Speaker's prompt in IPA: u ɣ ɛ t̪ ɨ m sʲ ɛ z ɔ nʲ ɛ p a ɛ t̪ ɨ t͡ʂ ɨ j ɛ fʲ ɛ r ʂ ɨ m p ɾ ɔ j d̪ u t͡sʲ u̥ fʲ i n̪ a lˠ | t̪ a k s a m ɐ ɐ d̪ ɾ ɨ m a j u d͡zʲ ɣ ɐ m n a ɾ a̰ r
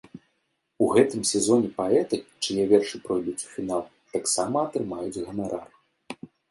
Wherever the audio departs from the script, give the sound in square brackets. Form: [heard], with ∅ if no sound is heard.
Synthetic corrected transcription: u ɣ ɛ t̪ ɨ m sʲ ɛ z ɔ nʲ ɛ p a ɛ t̪ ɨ t͡ʂ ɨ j ɛ [vʲ] ɛ r ʂ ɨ [∅] p ɾ ɔ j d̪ u t͡sʲ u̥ fʲ i n̪ a lˠ | t̪ a k s a m ɐ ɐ [t̪] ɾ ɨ m a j u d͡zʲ ɣ ɐ [∅] n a ɾ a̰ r